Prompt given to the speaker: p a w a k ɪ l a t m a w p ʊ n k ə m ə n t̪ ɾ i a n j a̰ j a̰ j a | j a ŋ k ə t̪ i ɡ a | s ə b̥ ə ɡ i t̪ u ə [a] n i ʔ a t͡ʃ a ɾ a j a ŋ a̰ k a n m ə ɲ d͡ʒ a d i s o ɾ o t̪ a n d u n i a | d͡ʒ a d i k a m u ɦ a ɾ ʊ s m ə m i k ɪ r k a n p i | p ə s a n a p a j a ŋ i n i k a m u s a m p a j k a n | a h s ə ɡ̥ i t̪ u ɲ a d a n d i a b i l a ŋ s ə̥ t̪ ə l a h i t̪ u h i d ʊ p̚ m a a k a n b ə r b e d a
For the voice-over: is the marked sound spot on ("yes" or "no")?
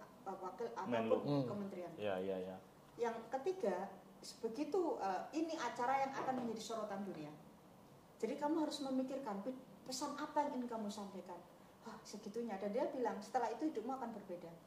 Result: no